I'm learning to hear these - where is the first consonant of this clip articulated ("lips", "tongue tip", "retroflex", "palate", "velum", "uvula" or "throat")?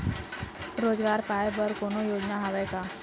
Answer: tongue tip